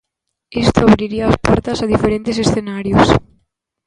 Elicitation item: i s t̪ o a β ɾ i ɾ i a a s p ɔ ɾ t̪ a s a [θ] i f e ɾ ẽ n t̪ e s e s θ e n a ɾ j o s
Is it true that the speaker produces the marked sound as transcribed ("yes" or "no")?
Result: no